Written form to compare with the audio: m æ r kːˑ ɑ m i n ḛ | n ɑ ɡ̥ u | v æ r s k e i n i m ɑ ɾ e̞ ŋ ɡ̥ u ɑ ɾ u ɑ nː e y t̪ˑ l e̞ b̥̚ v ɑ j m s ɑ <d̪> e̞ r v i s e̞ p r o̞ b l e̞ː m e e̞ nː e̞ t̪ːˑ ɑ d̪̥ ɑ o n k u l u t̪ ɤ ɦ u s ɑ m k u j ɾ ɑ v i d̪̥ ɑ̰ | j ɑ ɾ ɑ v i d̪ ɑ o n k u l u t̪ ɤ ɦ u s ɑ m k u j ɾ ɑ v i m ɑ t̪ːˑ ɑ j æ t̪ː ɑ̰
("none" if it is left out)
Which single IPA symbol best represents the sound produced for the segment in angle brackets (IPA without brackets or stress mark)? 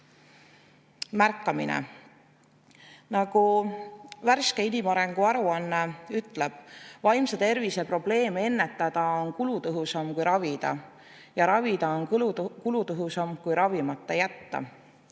t̪